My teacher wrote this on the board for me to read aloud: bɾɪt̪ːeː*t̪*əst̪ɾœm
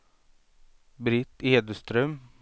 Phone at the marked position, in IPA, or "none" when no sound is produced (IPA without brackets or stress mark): d̪